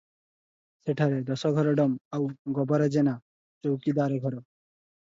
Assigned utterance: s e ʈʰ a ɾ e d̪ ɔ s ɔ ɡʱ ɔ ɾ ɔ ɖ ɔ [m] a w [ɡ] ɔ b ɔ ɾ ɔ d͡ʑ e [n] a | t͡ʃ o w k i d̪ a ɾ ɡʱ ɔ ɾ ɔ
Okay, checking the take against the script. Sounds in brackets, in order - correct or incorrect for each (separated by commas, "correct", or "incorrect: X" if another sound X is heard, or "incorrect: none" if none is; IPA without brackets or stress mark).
correct, correct, correct